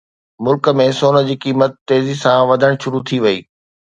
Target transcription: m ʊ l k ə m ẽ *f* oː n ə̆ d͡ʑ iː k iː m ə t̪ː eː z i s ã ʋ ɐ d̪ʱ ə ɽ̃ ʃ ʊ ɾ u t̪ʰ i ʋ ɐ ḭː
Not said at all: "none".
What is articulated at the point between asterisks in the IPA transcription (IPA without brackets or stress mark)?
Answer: s